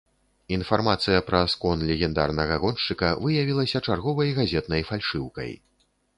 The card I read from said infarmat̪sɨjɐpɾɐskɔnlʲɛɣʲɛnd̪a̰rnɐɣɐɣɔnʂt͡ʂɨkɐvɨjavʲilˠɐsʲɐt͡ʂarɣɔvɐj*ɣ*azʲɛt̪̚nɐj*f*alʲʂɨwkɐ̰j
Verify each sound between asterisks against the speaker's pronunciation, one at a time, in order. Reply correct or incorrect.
correct, correct

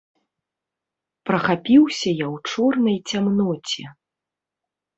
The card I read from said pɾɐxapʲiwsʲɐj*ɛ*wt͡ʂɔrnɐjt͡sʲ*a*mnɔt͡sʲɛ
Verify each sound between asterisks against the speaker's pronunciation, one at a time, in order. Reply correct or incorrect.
incorrect: a, correct

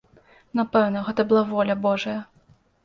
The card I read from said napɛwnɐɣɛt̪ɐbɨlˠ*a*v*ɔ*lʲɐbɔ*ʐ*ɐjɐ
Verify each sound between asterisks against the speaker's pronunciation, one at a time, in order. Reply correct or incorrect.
correct, correct, correct

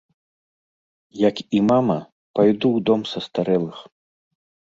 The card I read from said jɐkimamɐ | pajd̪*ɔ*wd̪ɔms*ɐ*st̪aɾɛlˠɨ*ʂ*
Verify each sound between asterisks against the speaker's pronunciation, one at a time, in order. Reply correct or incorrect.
incorrect: u, correct, incorrect: x

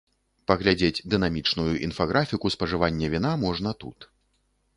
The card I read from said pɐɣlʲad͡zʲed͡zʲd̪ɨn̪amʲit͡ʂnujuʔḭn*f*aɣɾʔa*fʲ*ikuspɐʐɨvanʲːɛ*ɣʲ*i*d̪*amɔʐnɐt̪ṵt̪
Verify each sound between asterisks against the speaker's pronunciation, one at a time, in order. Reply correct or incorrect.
correct, correct, incorrect: vʲ, incorrect: n̪

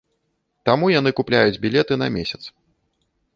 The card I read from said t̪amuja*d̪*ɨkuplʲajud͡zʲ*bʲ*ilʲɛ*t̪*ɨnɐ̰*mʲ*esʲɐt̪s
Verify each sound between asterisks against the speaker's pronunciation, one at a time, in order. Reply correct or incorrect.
incorrect: n̪, correct, correct, correct

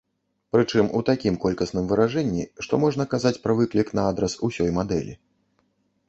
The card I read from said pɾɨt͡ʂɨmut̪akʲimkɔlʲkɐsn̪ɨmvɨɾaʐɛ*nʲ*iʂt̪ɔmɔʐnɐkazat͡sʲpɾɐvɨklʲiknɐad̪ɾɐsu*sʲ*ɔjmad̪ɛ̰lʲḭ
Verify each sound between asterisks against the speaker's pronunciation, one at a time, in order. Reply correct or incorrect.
incorrect: nʲː, correct

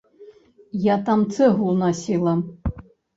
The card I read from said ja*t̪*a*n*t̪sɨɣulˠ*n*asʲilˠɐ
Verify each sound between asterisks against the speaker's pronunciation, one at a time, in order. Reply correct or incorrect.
correct, incorrect: m, correct

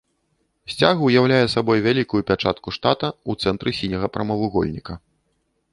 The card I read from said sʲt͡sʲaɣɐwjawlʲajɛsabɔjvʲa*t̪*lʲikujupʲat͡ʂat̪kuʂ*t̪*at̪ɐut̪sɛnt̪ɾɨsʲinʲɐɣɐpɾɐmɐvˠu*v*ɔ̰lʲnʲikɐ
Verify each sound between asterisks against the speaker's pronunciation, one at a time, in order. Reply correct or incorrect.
incorrect: none, correct, incorrect: ɣ

